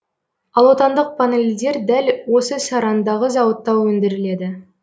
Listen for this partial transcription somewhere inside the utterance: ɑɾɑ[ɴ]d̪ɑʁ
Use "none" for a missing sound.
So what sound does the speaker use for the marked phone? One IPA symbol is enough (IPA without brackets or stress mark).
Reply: n